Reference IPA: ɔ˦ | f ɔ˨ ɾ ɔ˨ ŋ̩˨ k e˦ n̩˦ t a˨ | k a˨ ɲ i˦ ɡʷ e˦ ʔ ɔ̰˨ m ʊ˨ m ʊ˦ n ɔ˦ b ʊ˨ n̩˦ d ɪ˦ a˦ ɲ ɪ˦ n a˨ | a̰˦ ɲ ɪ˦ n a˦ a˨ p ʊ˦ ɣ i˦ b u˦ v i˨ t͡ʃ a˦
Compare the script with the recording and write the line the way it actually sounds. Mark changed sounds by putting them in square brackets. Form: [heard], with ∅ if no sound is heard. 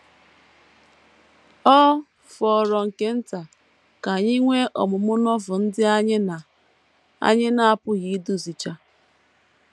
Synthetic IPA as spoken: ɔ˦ | f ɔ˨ ɾ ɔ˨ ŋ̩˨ k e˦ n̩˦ t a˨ | k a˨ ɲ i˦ [ŋʷ] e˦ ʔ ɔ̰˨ m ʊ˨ m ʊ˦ n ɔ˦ [v] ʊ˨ n̩˦ d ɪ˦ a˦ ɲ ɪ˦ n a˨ | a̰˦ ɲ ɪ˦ n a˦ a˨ p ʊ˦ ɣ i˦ [d] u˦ [z] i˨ t͡ʃ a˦